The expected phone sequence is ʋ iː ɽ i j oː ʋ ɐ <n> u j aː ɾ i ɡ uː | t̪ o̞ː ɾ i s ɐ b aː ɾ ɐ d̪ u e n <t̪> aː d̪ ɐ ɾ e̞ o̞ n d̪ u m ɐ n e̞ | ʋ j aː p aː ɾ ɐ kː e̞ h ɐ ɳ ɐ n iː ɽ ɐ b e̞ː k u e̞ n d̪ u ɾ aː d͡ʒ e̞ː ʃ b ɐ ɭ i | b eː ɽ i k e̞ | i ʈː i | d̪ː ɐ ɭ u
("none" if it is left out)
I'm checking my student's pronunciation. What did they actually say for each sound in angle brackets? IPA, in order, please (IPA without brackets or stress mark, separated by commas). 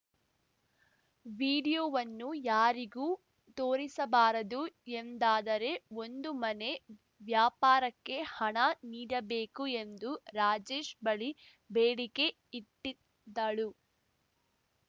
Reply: nː, d̪